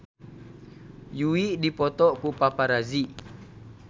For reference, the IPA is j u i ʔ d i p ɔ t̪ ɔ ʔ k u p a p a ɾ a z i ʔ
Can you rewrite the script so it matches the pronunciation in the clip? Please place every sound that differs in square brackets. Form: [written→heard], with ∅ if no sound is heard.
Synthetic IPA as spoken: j u i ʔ d i p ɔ t̪ ɔ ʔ k u p a p a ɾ a z i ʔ

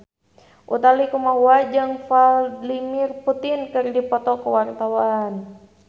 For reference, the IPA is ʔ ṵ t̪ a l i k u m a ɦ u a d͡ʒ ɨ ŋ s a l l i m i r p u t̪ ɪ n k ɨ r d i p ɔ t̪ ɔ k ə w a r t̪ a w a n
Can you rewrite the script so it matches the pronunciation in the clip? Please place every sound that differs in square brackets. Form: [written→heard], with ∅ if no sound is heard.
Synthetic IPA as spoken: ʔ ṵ t̪ a l i k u m a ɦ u a d͡ʒ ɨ ŋ [s→f] a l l i m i r p u t̪ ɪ n k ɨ r d i p ɔ t̪ ɔ k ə w a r t̪ a w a n

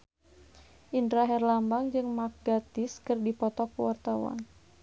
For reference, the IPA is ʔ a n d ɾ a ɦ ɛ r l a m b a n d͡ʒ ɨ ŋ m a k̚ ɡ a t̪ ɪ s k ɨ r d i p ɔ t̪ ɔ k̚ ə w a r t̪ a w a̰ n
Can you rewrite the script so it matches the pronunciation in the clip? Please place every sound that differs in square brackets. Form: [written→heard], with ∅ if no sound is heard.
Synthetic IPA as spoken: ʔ [a→i] n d ɾ a ɦ ɛ r l a m b a [n→ŋ] d͡ʒ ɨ ŋ m a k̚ ɡ a t̪ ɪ s k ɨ r d i p ɔ t̪ ɔ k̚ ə w a r t̪ a w a̰ n

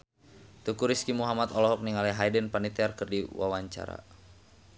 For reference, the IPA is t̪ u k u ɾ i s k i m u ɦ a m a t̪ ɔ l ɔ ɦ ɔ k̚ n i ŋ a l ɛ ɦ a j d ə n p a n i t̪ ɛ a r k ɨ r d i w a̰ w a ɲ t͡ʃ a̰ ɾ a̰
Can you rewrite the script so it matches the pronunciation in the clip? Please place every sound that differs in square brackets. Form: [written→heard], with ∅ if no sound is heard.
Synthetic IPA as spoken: t̪ u k u ɾ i s k i m u ɦ a m a t̪ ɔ l ɔ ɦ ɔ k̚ n i ŋ a l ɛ ɦ a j d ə n p a n i t̪ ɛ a r k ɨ r d i w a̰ w a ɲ t͡ʃ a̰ ɾ a̰

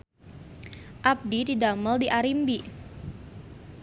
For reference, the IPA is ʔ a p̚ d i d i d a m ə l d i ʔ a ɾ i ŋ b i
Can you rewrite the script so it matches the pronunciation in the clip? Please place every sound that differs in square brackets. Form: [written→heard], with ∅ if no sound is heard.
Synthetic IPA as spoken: ʔ a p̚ d i d i d a m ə l d i ʔ a ɾ i [ŋ→m] b i

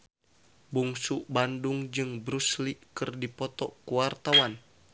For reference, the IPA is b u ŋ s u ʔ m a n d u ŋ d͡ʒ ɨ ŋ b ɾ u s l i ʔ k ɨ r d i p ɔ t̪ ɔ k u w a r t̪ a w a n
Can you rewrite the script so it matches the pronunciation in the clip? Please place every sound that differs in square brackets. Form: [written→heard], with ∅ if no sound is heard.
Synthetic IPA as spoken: b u ŋ s u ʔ [m→b] a n d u ŋ d͡ʒ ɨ ŋ b ɾ u s l i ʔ k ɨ r d i p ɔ t̪ ɔ k u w a r t̪ a w a n

